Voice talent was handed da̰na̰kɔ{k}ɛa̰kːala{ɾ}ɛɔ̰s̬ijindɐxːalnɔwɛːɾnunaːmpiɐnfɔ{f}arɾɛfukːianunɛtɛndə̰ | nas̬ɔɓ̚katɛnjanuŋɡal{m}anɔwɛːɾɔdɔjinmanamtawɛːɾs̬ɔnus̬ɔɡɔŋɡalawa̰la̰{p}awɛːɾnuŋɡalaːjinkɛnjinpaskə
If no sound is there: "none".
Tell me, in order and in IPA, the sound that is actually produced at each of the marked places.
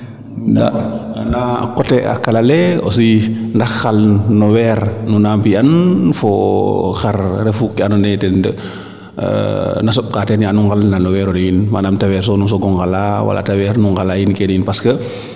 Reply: t, l, x, n, t

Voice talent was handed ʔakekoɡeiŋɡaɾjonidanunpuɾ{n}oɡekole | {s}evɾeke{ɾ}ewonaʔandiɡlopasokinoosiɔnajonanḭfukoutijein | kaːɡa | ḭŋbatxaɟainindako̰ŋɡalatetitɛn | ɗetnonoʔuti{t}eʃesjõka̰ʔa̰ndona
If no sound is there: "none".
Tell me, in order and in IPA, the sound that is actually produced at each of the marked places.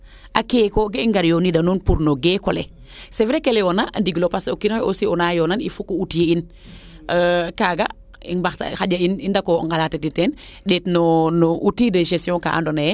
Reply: n, s, l, d

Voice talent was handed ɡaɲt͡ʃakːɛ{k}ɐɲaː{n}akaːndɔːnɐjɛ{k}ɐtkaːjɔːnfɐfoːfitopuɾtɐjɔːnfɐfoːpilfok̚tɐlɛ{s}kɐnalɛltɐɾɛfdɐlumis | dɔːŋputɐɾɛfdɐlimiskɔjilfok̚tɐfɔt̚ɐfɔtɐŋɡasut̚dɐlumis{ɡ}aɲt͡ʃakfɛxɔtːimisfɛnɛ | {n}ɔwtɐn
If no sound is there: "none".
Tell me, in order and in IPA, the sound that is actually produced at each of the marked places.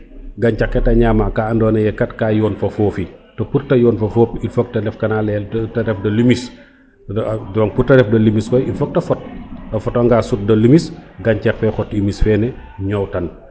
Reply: t, m, k, f, ɡ, ɲ

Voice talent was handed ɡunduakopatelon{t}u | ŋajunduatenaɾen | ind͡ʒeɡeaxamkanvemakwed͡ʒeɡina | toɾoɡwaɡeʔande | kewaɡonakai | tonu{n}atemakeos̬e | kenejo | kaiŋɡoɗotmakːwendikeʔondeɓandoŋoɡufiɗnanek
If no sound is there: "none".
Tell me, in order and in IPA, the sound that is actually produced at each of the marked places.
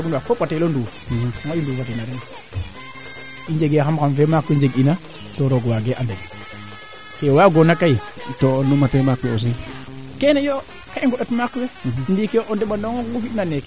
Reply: d, m

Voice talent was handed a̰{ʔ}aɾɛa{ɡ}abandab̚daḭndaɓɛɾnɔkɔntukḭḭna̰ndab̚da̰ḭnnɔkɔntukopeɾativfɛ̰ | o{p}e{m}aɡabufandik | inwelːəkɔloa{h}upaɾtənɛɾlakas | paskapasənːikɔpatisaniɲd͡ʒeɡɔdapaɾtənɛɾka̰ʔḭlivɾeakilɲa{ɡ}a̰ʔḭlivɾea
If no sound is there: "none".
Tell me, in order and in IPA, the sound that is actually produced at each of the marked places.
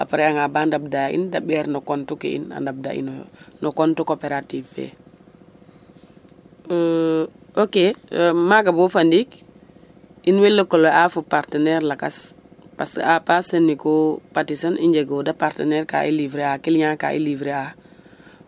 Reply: p, ŋ, k, m, f, k

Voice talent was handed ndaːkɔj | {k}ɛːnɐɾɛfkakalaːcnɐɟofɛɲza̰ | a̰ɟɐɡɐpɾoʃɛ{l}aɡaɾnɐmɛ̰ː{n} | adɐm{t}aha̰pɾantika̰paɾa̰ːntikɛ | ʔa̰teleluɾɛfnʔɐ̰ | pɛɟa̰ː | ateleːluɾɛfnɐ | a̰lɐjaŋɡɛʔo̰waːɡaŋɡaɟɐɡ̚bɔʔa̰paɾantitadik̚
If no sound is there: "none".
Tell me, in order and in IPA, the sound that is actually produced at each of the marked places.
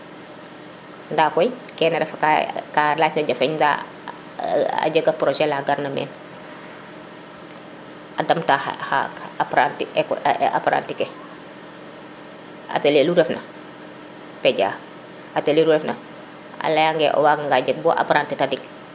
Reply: k, l, n, t

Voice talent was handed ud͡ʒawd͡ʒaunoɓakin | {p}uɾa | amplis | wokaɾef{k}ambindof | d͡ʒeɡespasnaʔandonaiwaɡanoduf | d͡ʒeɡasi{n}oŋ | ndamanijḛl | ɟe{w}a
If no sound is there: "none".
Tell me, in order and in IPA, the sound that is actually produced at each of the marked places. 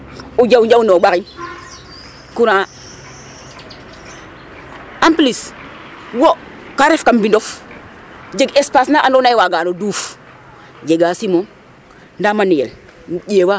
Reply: k, k, m, w

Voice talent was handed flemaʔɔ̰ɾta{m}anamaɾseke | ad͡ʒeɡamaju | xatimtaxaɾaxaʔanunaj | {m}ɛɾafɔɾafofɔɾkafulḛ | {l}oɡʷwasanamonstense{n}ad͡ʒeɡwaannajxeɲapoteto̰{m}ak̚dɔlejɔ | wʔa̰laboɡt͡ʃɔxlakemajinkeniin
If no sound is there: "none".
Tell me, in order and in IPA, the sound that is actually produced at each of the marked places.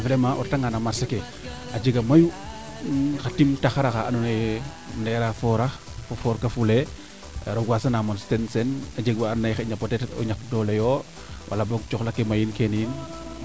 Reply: ŋ, n, ɾ, n, ɲ

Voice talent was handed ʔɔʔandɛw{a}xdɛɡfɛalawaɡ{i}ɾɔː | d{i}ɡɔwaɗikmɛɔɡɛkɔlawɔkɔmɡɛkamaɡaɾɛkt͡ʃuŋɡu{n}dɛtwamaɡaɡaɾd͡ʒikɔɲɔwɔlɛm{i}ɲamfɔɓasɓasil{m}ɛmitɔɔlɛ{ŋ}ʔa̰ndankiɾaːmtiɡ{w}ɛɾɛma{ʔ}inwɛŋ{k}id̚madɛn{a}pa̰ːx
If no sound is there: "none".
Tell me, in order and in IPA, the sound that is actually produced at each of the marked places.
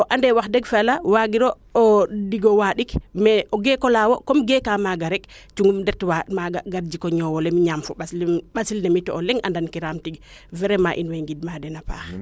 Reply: a, i, i, m, i, n, ŋ, v, ʔ, ɡ, a

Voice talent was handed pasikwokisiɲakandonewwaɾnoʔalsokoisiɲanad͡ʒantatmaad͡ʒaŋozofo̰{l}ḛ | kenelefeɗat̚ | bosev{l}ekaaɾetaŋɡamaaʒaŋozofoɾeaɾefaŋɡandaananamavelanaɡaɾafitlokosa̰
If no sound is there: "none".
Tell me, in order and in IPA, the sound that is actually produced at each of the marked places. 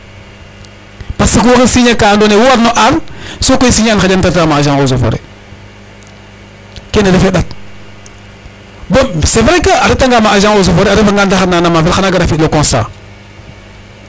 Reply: ɾ, ɾ

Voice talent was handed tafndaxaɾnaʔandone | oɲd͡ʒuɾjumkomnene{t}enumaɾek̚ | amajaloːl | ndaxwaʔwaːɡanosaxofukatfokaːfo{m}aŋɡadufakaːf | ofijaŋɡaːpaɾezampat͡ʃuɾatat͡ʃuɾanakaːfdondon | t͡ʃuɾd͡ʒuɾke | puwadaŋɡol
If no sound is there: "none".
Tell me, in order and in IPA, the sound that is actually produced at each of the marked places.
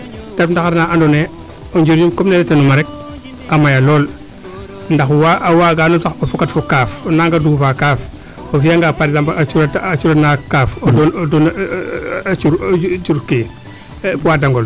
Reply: t, n

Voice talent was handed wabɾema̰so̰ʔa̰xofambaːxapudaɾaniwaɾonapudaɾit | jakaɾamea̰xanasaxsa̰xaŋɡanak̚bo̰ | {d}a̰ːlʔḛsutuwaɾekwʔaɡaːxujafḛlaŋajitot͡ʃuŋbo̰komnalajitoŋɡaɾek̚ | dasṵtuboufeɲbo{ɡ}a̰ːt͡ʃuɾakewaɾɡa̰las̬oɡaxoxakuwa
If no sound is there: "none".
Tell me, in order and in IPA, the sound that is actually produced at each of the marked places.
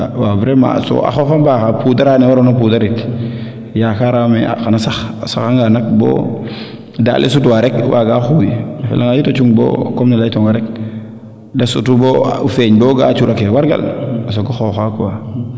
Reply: d, ɡ

